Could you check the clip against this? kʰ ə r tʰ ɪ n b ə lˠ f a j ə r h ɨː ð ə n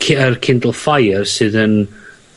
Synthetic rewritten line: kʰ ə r kʰ ɪ n d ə lˠ f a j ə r s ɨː ð ə n